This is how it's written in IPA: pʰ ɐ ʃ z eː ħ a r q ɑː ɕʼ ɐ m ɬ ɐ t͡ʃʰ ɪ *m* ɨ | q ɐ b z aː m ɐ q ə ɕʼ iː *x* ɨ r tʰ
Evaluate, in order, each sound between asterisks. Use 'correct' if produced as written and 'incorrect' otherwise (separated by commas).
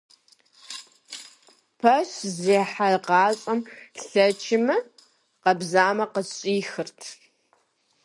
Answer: correct, correct